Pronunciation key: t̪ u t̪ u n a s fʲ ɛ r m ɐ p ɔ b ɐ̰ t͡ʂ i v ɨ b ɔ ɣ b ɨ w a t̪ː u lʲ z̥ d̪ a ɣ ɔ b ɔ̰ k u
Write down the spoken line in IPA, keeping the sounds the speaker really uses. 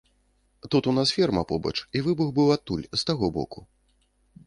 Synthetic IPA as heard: t̪ u t̪ u n a s fʲ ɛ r m ɐ p ɔ b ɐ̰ t͡ʂ i v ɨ b u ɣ b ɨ w a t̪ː u lʲ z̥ t̪ a ɣ ɔ b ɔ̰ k u